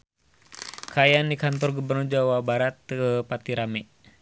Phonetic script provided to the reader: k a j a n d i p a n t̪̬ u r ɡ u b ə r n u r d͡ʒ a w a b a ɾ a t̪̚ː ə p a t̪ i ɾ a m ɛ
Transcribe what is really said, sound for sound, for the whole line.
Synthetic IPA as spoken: k a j a n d i k a n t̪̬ ɔ r ɡ u b ə r n u r d͡ʒ a w a b a ɾ a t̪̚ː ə p a t̪ i ɾ a m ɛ